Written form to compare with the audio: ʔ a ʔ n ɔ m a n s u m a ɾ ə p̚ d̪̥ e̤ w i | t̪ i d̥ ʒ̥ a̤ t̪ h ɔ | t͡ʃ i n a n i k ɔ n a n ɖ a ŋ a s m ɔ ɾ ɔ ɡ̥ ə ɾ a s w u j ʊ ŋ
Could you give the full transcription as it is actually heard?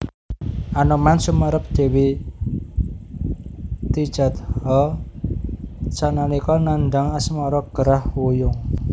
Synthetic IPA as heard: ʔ a n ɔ m a n s u m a ɾ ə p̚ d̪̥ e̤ w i | t̪ i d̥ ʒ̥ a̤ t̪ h ɔ | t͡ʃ a n a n i k ɔ n a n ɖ a ŋ a s m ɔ ɾ ɔ ɡ̥ ə ɾ a h w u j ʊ ŋ